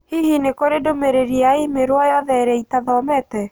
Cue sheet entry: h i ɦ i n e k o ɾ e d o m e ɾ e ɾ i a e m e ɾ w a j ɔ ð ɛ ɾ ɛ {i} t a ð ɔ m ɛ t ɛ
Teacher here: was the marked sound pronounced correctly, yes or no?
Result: yes